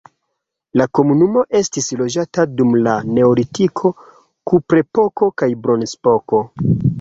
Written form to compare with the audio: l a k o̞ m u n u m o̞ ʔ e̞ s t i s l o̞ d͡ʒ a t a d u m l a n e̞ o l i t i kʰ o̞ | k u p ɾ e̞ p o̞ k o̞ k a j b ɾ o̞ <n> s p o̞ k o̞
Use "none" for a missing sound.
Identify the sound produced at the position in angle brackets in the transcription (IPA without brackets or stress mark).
n